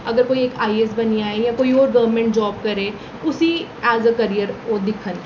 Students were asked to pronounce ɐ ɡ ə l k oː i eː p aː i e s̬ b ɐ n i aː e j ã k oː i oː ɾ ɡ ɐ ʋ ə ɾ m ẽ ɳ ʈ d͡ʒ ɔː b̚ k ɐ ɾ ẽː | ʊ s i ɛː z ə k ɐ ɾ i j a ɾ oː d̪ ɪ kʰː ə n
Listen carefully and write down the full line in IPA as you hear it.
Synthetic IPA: ɐ ɡ ə ɾ k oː i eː k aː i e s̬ b ɐ n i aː e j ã k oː i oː ɾ ɡ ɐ ʋ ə ɾ m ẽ ɳ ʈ d͡ʒ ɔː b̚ k ɐ ɾ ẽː | ʊ s i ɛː z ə k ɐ ɾ i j ə ɾ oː d̪ ɪ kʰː ə n